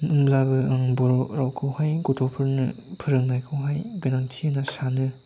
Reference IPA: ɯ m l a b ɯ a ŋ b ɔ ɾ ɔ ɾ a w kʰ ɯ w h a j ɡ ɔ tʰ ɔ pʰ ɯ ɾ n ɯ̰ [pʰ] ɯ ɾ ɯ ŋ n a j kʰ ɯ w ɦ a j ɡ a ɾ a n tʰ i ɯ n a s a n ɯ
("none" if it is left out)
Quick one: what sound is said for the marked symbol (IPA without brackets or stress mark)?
pʰ